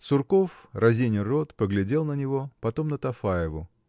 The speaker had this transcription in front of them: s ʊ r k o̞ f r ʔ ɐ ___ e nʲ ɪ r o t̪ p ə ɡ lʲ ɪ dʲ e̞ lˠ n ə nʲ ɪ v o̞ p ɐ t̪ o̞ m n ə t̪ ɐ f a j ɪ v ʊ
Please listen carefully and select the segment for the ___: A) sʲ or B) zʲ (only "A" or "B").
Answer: B